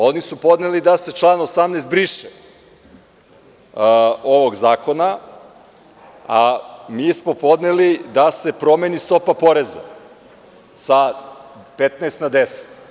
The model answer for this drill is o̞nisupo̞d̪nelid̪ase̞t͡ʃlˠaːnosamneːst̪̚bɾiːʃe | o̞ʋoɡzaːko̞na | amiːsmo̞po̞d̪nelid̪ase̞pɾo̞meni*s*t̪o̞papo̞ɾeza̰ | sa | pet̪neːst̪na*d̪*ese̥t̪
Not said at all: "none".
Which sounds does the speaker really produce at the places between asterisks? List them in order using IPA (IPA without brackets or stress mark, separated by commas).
s, d̪